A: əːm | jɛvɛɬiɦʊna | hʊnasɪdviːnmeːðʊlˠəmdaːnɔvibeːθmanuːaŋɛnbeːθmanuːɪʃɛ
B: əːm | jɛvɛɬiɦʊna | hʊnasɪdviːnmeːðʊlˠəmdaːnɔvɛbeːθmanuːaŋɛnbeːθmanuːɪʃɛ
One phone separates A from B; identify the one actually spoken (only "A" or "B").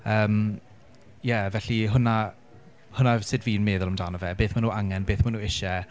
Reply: B